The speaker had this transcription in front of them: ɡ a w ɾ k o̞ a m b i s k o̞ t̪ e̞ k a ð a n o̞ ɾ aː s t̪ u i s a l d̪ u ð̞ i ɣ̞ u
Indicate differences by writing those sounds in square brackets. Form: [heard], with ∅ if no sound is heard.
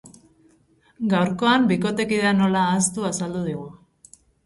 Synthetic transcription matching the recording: ɡ a w ɾ k o̞ a m b i [∅] k o̞ t̪ e̞ k [i] ð a n o̞ [l] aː s t̪ u [a] s a l d̪ u ð̞ i ɣ̞ u